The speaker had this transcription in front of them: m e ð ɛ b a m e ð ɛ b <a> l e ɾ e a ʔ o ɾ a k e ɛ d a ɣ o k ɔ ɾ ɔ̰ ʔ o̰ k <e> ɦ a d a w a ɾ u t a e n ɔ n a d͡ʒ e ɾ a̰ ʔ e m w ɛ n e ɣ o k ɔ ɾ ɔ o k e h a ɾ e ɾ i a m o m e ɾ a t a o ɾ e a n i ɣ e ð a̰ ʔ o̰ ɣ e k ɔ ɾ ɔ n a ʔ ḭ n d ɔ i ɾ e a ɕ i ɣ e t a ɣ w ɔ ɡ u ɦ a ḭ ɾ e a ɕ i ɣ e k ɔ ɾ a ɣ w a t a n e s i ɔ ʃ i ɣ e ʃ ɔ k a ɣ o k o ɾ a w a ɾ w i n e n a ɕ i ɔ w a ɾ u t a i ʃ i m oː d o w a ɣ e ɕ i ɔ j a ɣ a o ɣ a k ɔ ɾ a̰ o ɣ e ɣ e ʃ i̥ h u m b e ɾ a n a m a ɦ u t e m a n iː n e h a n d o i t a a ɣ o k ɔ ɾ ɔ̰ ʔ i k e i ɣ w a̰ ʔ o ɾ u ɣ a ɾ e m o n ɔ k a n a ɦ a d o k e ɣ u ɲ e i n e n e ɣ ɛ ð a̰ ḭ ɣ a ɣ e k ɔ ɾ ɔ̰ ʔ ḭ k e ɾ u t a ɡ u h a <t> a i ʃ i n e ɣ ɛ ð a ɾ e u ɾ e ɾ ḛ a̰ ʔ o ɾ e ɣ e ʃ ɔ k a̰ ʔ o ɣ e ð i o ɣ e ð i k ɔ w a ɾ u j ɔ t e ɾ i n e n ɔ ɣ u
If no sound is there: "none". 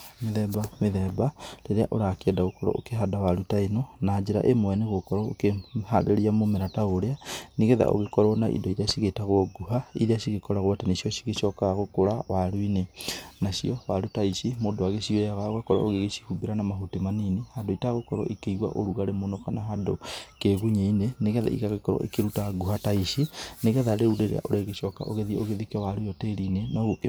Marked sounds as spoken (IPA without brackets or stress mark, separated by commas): a, e, t